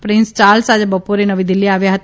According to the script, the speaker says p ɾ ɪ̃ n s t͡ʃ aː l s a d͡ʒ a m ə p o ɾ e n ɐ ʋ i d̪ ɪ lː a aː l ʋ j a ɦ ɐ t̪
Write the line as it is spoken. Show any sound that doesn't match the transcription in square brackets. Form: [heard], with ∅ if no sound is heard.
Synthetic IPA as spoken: p ɾ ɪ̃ n s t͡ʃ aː l s a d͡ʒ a [b] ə p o ɾ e n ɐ ʋ i d̪ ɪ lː [i] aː [∅] ʋ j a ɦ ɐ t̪